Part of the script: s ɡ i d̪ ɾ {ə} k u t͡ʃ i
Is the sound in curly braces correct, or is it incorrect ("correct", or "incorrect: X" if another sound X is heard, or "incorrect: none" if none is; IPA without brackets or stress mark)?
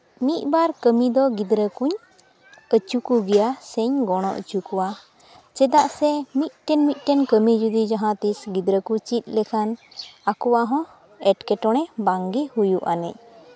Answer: correct